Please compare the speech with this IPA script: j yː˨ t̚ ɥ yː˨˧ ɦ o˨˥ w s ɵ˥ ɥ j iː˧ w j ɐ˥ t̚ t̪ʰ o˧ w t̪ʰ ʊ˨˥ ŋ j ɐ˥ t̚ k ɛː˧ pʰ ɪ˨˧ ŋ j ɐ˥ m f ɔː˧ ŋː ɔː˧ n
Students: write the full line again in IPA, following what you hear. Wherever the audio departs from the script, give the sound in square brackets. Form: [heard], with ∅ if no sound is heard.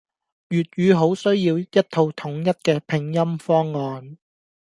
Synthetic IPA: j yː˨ t̚ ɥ yː˨˧ ɦ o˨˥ w s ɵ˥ ɥ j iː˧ w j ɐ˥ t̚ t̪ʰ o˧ w t̪ʰ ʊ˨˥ ŋ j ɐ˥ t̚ k ɛː˧ pʰ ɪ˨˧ ŋ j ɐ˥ m f [ɔː˥] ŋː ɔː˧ n